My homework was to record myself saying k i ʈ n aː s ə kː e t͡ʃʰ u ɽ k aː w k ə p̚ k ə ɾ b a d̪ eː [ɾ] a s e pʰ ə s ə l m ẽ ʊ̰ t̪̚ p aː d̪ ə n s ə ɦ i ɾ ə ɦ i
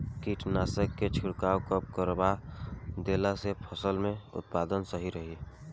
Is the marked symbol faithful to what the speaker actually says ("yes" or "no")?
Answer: no